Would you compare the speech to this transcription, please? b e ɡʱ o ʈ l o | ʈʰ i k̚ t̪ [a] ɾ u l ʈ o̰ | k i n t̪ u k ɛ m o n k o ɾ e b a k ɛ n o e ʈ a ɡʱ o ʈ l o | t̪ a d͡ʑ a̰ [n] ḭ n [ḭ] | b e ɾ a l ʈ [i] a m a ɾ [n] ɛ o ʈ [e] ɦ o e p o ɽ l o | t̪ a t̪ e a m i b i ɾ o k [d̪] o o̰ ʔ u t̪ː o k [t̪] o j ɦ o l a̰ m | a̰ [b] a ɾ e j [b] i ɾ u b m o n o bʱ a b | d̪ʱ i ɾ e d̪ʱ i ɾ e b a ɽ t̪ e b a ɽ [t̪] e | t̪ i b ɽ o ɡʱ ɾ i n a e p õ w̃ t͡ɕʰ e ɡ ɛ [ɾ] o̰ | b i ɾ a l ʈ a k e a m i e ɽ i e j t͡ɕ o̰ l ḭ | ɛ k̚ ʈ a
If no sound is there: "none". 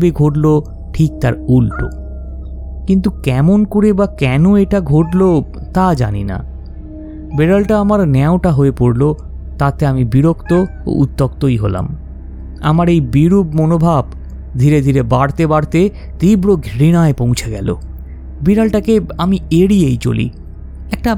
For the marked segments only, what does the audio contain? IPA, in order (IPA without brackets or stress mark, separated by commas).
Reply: a, n, a̰, a, n, a, t̪, t̪, m, b, t̪, l